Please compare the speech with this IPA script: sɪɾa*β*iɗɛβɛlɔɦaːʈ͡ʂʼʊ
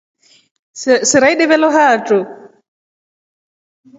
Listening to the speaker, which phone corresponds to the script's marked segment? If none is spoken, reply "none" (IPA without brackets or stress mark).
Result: none